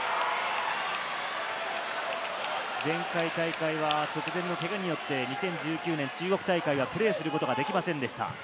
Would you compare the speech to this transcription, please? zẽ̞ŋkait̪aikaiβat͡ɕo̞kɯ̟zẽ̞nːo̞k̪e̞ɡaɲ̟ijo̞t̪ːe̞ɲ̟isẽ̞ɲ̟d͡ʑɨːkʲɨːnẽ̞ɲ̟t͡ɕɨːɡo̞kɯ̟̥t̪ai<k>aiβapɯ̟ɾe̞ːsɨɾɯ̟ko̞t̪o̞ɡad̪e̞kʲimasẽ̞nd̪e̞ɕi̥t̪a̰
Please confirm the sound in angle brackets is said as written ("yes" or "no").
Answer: yes